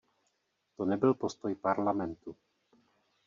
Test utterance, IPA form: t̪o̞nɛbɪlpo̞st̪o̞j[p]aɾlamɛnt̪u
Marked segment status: correct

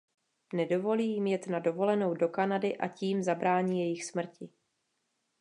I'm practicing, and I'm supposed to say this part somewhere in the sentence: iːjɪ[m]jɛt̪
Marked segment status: correct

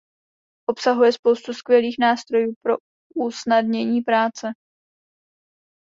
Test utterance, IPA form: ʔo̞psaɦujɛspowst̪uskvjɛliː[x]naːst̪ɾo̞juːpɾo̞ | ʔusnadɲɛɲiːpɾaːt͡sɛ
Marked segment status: correct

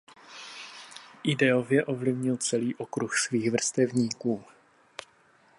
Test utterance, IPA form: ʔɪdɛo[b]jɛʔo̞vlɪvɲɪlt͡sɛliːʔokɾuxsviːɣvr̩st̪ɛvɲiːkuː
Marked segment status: incorrect: v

